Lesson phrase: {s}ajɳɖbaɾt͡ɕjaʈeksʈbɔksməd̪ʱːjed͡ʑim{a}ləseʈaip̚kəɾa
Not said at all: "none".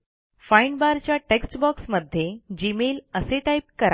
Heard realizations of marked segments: f, e

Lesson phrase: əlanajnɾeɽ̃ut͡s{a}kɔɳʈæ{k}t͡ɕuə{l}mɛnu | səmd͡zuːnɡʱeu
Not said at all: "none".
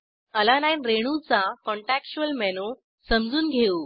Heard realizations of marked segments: a, k, l

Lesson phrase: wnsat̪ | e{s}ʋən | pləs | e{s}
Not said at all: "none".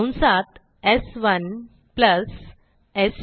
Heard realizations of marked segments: s, s

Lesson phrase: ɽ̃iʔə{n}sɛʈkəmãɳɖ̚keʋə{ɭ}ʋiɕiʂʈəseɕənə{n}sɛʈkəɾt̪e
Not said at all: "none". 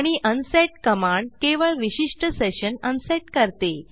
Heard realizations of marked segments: n, ɭ, n

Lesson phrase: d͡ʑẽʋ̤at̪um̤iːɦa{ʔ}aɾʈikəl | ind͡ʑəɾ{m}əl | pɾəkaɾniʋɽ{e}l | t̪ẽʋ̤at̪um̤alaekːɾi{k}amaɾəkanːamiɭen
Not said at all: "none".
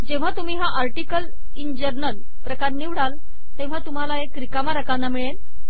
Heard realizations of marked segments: ʔ, n, a, k

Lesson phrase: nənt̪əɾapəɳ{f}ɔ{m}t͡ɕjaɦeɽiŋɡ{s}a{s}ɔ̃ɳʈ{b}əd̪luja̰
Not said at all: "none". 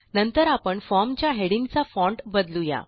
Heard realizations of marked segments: f, m, t͡s, f, b

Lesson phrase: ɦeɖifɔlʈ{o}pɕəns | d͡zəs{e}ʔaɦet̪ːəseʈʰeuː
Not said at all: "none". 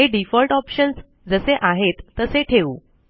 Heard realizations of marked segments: ɔ, e

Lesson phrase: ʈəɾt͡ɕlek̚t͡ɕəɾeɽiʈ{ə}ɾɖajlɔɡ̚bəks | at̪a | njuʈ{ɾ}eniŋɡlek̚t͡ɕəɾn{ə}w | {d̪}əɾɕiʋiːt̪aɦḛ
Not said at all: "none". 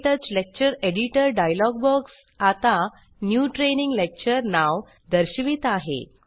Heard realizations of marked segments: ə, ɾ, a, d̪

